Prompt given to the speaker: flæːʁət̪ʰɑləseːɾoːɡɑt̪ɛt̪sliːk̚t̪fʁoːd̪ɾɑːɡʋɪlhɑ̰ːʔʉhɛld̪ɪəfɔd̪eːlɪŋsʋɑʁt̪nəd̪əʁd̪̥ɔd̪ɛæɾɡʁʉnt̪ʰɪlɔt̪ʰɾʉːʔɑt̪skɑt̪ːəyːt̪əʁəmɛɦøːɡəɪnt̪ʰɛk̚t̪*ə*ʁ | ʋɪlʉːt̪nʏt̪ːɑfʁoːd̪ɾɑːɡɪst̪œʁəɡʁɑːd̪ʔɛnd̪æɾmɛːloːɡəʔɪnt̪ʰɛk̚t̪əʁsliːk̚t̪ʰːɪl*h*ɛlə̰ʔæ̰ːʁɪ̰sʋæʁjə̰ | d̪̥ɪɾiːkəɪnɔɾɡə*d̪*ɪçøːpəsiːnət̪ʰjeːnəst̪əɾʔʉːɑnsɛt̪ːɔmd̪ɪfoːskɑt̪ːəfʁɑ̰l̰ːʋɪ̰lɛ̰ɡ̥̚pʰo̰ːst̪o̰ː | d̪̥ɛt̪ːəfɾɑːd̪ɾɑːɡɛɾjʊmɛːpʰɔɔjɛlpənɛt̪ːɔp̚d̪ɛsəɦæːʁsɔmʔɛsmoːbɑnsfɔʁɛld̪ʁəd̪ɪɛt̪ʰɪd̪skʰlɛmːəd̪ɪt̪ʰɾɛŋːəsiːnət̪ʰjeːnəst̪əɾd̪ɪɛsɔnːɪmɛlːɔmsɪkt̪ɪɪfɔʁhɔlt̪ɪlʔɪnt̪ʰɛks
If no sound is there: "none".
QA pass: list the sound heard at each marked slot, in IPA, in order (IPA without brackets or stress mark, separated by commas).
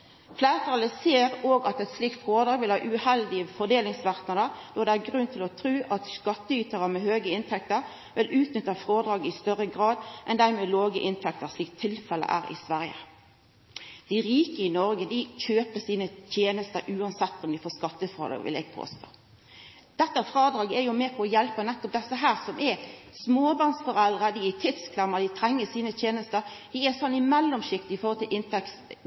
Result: ə, f, d̪